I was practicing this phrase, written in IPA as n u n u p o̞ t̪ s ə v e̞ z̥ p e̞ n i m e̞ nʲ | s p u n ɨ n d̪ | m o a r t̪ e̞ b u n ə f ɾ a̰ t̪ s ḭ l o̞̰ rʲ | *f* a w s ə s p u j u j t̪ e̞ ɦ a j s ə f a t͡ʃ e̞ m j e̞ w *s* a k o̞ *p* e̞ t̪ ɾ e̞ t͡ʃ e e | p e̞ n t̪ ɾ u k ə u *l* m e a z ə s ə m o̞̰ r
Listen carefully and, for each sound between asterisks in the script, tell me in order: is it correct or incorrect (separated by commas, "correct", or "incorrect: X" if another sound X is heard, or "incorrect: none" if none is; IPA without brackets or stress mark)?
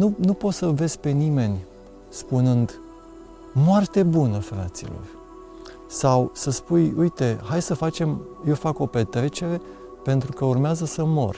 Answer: incorrect: s, incorrect: f, correct, incorrect: r